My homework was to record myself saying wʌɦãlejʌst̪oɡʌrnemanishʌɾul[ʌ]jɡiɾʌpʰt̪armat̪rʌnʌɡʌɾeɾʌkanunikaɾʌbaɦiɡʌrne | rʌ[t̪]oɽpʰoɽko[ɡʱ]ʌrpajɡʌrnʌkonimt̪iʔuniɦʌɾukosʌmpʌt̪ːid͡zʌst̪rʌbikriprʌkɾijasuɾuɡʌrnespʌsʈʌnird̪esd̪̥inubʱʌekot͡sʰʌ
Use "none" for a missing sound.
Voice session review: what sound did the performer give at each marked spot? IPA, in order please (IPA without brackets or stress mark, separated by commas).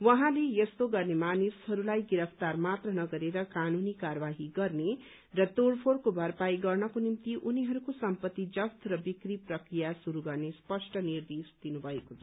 a, t̪, bʱ